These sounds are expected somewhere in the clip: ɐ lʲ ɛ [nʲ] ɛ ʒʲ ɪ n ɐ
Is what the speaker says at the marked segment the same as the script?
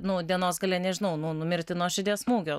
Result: yes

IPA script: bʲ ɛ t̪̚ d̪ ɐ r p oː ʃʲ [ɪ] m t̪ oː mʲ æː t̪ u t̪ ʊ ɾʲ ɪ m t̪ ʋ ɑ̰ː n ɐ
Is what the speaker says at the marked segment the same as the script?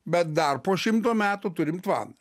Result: yes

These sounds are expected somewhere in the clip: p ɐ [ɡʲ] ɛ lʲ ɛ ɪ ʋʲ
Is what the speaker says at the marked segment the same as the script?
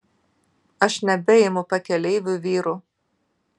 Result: no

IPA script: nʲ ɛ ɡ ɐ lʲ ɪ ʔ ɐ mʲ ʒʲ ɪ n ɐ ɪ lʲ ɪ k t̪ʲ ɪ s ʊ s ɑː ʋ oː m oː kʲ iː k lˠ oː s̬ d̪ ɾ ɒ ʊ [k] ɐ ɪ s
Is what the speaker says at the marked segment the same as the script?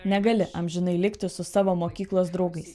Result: no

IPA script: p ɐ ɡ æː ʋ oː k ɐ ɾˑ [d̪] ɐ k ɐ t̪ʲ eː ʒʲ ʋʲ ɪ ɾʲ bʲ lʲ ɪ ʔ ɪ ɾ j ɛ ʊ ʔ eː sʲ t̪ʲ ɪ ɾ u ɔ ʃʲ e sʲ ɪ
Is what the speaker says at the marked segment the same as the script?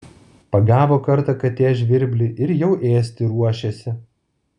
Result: no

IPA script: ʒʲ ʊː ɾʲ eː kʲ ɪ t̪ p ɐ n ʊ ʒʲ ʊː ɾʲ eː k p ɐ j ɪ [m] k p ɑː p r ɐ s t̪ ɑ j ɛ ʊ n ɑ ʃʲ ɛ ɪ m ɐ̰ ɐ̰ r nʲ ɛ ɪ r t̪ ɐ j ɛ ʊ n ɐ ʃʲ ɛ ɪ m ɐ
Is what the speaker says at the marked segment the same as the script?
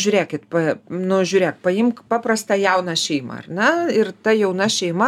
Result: yes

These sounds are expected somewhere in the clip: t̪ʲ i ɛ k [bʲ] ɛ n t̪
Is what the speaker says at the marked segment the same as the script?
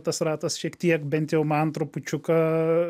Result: yes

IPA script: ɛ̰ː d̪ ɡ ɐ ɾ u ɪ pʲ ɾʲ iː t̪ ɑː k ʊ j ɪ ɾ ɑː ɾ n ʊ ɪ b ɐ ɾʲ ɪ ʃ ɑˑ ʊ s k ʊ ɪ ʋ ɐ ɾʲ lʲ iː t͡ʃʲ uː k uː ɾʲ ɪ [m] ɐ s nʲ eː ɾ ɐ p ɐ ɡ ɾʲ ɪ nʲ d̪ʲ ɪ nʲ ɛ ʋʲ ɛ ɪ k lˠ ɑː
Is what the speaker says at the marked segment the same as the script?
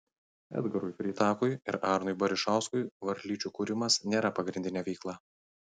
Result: yes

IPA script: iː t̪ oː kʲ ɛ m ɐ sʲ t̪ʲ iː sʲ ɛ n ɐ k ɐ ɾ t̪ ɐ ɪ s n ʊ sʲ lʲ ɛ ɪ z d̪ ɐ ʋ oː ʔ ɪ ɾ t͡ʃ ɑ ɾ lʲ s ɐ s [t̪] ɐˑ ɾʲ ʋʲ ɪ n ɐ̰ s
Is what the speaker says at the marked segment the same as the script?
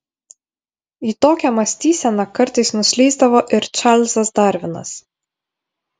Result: no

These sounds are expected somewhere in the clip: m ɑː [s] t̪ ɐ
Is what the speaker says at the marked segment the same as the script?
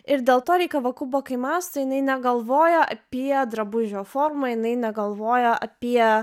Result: yes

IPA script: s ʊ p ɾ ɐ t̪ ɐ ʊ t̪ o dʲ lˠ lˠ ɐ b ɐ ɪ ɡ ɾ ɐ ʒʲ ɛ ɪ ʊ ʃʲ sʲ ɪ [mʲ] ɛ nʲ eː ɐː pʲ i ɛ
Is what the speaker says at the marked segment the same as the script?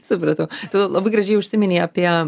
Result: yes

